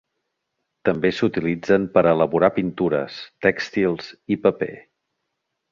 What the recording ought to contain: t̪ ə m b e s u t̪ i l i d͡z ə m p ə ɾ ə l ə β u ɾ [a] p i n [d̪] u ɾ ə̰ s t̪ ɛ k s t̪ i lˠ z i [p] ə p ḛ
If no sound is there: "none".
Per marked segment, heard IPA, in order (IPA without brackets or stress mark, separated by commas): a, t̪, p